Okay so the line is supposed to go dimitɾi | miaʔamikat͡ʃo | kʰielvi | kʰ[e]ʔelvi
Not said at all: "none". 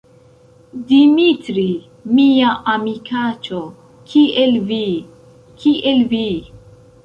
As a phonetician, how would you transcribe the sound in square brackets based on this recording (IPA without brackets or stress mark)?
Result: i